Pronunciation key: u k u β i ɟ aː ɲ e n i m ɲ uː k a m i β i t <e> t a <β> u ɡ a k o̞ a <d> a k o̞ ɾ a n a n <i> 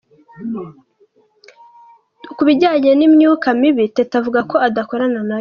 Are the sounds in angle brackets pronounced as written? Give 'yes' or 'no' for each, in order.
yes, no, yes, no

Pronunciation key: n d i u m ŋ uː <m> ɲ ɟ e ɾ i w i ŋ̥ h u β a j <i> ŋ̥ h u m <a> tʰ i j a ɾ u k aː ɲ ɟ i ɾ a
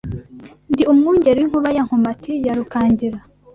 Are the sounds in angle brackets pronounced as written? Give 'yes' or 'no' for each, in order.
no, no, yes

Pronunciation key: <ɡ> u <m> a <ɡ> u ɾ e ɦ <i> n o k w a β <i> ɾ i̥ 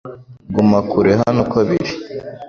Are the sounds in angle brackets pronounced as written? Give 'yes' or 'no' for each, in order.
yes, yes, no, no, yes

